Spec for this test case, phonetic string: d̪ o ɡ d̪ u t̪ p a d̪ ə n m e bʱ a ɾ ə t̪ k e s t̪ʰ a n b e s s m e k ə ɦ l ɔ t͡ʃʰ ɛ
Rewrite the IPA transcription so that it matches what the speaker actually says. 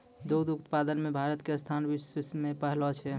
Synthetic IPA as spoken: d̪ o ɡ d̪ u t̪ p a d̪ ə n m e bʱ a ɾ ə t̪ k e s t̪ʰ a n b i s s m e p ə ɦ l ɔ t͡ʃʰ ɛ